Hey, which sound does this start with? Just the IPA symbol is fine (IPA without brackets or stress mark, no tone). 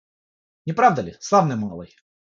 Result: nʲ